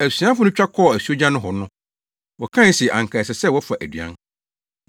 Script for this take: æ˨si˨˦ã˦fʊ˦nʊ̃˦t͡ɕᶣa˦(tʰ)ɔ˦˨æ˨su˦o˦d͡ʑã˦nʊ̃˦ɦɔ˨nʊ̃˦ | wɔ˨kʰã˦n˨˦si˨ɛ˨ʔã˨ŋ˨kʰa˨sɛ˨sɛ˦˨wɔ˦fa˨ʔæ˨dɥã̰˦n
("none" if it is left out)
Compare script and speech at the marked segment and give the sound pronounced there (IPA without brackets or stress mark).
kʰ